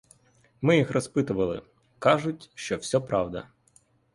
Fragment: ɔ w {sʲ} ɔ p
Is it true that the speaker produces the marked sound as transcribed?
yes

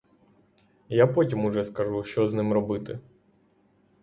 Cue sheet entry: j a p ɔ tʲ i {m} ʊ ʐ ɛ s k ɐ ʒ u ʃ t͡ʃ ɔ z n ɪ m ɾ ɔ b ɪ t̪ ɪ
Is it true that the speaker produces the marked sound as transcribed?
yes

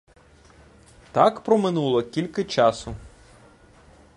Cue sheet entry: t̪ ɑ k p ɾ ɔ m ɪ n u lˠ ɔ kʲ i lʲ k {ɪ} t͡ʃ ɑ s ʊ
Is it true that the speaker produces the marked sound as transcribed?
yes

